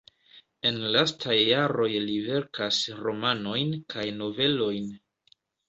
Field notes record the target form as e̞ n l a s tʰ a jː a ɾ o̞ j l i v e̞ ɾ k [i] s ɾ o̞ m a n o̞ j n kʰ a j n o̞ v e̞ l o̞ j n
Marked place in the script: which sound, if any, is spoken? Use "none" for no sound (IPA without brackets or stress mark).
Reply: a